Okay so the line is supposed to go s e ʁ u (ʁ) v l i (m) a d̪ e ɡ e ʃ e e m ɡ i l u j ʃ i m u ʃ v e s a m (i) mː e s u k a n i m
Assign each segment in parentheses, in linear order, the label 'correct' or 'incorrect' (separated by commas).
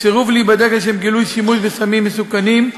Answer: incorrect, incorrect, correct